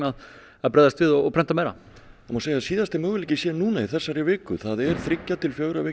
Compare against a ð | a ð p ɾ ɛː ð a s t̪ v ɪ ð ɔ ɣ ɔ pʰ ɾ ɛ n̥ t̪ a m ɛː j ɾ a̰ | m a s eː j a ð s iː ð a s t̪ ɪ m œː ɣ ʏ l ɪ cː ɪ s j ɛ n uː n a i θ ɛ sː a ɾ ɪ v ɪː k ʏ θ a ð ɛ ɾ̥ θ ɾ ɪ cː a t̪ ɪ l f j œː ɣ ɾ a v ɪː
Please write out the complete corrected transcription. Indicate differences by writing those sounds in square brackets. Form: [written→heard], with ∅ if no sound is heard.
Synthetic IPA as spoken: a ð | a ð p ɾ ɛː ð a s t̪ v ɪ ð ɔ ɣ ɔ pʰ ɾ ɛ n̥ t̪ a m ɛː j ɾ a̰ | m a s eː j a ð s iː ð a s t̪ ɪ m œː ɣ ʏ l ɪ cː ɪ s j ɛ n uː n a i θ ɛ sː a ɾ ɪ v ɪː k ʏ θ a ð ɛ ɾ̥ θ ɾ ɪ cː a t̪ ɪ l f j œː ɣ ɾ a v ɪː